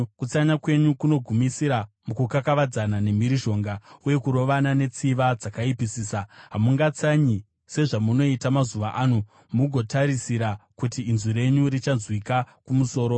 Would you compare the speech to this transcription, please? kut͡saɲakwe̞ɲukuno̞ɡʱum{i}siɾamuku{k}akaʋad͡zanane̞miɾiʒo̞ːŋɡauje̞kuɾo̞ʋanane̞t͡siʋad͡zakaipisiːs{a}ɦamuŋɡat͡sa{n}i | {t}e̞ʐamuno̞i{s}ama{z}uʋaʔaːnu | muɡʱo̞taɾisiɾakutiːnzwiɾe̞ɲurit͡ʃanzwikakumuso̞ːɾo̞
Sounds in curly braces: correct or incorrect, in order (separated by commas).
correct, correct, correct, incorrect, incorrect, incorrect, correct